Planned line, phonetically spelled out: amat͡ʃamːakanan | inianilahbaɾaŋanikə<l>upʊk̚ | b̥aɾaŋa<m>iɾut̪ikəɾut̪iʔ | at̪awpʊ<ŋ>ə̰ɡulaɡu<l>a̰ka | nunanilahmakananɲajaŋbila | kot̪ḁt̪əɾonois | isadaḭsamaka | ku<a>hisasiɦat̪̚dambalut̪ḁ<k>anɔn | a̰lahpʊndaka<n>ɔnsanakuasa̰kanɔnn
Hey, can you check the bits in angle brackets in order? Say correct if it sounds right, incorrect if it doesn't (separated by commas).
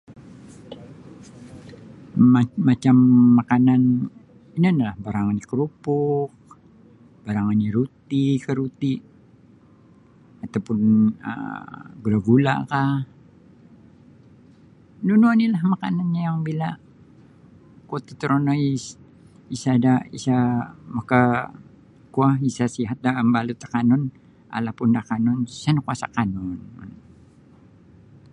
incorrect, incorrect, incorrect, correct, correct, correct, correct